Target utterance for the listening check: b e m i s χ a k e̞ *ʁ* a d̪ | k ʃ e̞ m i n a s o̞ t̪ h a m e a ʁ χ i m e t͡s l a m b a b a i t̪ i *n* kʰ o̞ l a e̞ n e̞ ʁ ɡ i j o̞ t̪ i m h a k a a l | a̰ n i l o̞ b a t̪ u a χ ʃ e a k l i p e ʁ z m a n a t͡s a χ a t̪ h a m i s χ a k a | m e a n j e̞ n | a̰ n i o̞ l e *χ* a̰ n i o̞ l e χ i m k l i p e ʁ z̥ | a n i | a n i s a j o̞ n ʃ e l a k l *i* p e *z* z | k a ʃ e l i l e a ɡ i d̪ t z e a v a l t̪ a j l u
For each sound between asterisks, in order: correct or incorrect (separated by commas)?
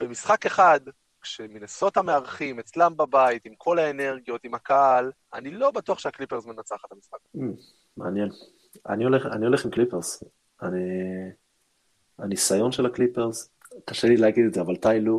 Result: incorrect, incorrect, correct, correct, incorrect